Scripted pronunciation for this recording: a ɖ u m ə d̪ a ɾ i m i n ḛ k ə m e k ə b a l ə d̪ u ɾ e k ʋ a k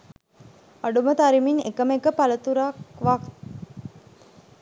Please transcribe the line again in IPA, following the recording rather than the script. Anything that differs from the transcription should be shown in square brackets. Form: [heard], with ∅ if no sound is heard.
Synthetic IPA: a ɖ u m ə [t̪] a ɾ i m i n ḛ k ə m e k ə [p] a l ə [t̪] u ɾ [a] k ʋ a k